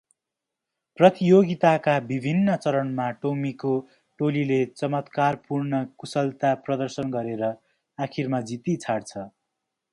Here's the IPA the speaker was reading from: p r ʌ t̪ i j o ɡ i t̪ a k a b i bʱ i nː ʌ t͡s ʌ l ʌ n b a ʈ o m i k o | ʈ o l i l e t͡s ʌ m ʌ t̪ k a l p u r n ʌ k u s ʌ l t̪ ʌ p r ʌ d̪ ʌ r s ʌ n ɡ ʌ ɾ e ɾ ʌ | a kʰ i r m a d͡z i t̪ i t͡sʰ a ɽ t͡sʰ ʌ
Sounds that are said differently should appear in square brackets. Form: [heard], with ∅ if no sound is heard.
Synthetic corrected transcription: p r ʌ t̪ i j o ɡ i t̪ a k a b i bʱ i nː ʌ t͡s ʌ [ɾ] ʌ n [m] a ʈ o m i k o | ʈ o l i l e t͡s ʌ m ʌ t̪ k a [r] p u r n ʌ k u s ʌ l t̪ [a] p r ʌ d̪ ʌ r s ʌ n ɡ ʌ ɾ e ɾ ʌ | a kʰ i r m a d͡z i t̪ i t͡sʰ a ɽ t͡sʰ ʌ